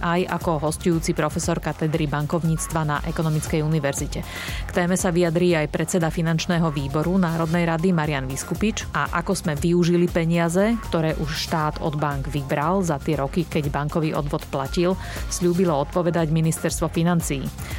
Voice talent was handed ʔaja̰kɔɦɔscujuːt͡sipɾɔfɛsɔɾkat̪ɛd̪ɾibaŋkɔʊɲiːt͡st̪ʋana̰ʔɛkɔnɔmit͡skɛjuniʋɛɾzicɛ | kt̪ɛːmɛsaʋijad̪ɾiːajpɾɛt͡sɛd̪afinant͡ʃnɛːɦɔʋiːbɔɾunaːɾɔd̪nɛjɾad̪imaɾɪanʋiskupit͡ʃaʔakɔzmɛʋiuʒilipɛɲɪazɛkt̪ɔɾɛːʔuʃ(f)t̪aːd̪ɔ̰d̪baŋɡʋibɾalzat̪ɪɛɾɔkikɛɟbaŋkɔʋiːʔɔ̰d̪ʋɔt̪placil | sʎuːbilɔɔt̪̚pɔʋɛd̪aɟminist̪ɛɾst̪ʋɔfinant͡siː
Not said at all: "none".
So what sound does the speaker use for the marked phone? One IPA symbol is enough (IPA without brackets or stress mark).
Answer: ʃ